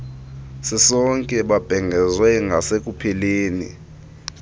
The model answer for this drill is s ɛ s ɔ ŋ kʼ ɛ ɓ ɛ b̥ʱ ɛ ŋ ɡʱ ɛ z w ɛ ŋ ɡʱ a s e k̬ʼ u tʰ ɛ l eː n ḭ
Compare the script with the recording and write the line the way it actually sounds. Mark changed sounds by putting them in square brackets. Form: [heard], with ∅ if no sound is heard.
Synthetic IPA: s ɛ s ɔ ŋ kʼ ɛ ɓ [a] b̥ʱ ɛ ŋ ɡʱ ɛ z w ɛ ŋ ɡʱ a s e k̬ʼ u [pʰ] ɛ l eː n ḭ